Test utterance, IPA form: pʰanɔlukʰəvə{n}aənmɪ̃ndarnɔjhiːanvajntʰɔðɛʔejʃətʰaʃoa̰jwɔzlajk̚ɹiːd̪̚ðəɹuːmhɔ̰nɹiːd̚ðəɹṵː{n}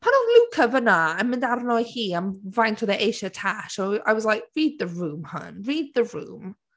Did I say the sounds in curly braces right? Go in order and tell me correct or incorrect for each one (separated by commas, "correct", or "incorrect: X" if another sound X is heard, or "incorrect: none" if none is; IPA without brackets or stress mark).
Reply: correct, incorrect: m